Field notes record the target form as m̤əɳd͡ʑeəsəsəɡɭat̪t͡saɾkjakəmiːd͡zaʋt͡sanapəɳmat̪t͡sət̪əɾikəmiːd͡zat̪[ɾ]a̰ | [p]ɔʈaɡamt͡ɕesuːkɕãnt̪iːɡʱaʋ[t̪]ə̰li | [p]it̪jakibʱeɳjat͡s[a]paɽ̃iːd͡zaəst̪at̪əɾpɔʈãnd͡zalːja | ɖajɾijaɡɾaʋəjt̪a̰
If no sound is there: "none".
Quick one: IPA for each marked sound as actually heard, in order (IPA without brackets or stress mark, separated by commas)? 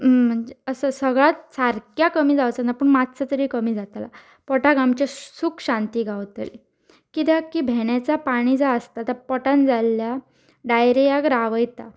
l, p, t̪, k, a